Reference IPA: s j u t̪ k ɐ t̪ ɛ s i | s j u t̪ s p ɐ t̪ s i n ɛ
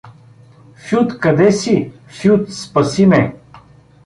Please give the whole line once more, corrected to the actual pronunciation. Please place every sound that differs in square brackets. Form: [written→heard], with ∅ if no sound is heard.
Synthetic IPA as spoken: [s→f] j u t̪ k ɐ [t̪→d̪] ɛ s i | [s→f] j u t̪ s p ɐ [t̪→∅] s i [n→m] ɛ